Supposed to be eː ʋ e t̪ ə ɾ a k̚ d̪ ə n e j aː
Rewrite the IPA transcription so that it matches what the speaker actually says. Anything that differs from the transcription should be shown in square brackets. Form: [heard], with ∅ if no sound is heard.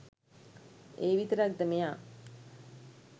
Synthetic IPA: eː ʋ [i] t̪ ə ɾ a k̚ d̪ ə [m] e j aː

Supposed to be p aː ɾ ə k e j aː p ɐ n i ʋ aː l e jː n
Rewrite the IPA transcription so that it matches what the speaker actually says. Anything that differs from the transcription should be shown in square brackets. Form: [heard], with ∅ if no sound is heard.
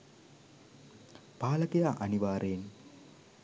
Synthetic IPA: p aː [l] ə k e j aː [ʔ] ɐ n i ʋ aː [ɾ] e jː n

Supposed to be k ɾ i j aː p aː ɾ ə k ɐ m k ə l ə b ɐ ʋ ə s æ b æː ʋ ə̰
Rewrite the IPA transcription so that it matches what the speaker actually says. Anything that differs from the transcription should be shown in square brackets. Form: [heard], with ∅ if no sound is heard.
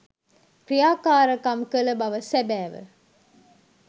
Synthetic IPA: k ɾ i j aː [k] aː ɾ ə k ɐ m k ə l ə b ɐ ʋ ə s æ b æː ʋ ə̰

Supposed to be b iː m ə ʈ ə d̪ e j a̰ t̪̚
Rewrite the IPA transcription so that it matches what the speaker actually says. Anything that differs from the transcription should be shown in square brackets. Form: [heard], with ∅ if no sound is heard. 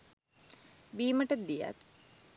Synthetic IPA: b iː m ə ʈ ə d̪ [i] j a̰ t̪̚

